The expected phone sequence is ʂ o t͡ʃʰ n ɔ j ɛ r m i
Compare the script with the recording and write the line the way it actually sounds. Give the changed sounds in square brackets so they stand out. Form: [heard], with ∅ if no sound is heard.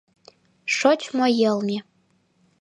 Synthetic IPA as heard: ʂ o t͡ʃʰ [m] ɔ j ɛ [l] m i